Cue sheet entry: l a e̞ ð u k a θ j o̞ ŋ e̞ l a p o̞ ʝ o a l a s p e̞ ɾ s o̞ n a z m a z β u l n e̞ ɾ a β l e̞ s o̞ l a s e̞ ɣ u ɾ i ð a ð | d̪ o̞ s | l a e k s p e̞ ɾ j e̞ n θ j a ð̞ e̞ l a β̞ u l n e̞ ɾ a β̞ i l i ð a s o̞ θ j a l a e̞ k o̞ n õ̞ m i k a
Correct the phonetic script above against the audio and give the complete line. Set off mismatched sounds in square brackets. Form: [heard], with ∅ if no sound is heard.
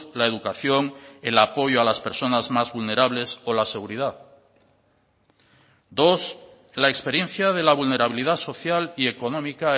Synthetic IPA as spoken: l a e̞ ð u k a θ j o̞ ŋ e̞ l a p o̞ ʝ o a l a s p e̞ ɾ s o̞ n a z m a z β u l n e̞ ɾ a β l e̞ s o̞ l a s e̞ ɣ u ɾ i ð a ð | d̪ o̞ s | l a e k s p e̞ ɾ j e̞ n θ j a ð̞ e̞ l a β̞ u l n e̞ ɾ a β̞ i l i ð a s o̞ θ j a l [i] e̞ k o̞ n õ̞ m i k a